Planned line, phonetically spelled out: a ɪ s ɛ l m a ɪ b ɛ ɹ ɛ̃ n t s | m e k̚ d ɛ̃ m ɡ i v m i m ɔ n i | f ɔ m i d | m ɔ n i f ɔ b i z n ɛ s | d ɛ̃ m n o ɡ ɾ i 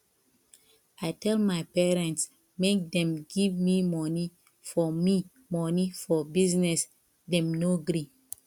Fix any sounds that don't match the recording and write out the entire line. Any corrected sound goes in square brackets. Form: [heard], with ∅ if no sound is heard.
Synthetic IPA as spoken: a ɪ [t] ɛ l m a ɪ [p] ɛ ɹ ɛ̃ n t s | m e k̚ d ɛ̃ m ɡ i v m i m ɔ n i | f ɔ m i [∅] | m ɔ n i f ɔ b i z n ɛ s | d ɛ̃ m n o ɡ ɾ i